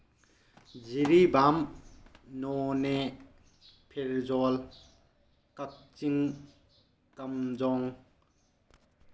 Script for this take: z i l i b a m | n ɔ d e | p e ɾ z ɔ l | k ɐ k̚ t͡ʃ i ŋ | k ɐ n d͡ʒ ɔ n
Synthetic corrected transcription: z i ɾ i b a m | n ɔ n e | pʰ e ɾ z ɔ l | k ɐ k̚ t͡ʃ i ŋ | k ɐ m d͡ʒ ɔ ŋ